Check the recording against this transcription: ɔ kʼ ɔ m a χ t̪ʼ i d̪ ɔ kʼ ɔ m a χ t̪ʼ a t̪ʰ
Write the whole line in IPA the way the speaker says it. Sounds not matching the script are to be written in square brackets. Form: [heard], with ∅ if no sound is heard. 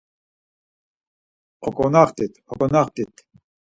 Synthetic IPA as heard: ɔ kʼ ɔ [n] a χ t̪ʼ i [t̪] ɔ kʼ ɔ [n] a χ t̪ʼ [i] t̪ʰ